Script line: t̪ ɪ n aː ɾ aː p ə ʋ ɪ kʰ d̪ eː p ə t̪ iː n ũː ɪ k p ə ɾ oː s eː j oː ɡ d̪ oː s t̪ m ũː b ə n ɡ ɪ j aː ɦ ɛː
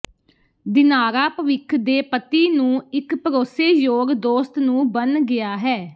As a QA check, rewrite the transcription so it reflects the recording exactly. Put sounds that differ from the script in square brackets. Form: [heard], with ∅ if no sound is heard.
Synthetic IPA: [d̪] ɪ n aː ɾ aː p ə ʋ ɪ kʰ d̪ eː p ə t̪ iː n ũː ɪ k p ə ɾ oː s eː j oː ɡ d̪ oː s t̪ [n] ũː b ə n ɡ ɪ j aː ɦ ɛː